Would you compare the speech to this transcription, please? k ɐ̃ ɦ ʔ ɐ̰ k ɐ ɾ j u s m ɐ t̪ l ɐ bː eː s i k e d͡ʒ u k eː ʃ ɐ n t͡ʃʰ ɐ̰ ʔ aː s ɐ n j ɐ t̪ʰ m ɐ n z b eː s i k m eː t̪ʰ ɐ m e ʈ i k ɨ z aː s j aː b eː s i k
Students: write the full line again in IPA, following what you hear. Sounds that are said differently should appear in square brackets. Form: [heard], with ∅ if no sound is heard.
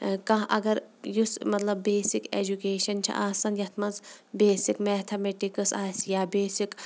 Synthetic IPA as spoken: k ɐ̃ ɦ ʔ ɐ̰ [ɡ] ɐ ɾ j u s m ɐ t̪ l ɐ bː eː s i k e d͡ʒ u k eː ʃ ɐ n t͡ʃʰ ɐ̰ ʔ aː s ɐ n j ɐ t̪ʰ m ɐ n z b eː s i k m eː t̪ʰ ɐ m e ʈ i k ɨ [s] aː s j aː b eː s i k